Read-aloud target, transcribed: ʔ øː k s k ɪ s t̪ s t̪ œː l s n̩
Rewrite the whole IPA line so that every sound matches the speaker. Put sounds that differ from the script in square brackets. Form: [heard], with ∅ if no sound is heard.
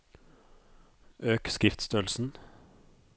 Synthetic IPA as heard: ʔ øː k s k ɪ [f] t̪ s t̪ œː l s n̩